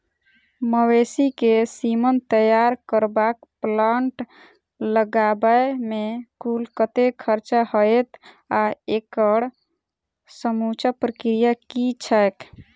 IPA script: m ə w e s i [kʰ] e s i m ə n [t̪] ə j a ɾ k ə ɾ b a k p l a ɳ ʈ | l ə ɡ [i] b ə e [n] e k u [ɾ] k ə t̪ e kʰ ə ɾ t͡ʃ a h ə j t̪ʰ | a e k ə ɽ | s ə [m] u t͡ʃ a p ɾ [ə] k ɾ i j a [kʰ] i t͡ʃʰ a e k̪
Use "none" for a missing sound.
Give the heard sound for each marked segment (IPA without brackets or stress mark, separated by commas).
k, t̪, a, m, l, m, ə, k